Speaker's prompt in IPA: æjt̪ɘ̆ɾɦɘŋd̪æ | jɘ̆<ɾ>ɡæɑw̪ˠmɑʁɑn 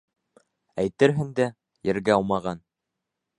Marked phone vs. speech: correct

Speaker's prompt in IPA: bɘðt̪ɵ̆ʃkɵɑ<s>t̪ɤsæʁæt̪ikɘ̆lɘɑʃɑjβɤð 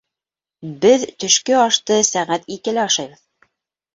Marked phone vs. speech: incorrect: ʃ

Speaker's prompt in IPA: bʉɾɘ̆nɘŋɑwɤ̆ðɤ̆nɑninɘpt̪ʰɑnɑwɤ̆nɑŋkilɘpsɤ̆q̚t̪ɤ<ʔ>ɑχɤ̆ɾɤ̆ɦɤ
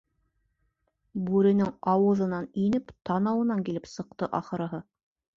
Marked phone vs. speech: correct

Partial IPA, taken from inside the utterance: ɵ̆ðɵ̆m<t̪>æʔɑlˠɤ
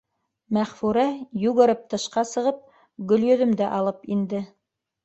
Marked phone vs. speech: incorrect: d̪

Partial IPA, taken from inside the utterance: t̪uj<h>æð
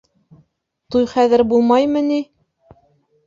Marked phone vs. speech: incorrect: χ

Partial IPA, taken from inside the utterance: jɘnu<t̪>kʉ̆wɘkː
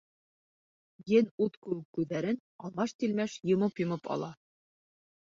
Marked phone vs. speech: correct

